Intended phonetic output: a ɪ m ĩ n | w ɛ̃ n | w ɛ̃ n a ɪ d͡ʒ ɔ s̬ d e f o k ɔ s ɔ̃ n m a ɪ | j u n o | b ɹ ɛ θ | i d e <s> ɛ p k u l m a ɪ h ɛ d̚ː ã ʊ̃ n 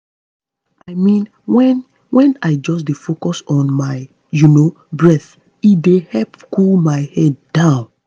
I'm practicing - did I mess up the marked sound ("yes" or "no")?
yes